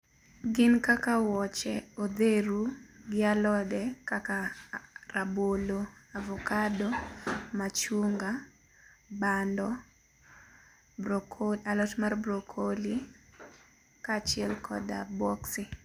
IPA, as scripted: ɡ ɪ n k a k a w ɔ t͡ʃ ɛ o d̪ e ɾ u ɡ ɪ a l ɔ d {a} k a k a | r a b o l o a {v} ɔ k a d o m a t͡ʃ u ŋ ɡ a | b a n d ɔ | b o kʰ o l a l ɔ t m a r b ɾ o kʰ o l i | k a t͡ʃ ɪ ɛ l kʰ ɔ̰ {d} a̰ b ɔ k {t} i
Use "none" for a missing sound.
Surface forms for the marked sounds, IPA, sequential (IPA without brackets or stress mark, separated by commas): ɛ, v, d, s